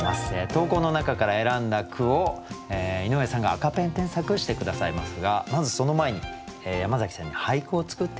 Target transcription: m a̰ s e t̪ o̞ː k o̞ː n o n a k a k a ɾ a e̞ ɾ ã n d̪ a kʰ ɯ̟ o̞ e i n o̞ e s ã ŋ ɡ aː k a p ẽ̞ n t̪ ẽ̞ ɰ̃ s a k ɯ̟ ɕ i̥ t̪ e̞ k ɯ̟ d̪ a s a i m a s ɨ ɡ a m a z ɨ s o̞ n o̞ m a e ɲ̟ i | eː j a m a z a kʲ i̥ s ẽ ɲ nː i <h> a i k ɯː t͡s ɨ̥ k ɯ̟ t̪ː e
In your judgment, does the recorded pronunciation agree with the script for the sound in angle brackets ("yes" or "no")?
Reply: yes